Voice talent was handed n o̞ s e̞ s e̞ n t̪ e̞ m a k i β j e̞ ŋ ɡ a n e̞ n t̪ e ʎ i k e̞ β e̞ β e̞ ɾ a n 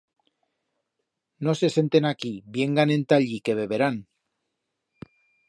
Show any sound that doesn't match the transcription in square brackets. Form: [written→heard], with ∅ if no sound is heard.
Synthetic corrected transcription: n o̞ s e̞ s e̞ n t̪ e̞ [m→n] a k i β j e̞ ŋ ɡ a n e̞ n t̪ [e→a] ʎ i k e̞ β e̞ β e̞ ɾ a n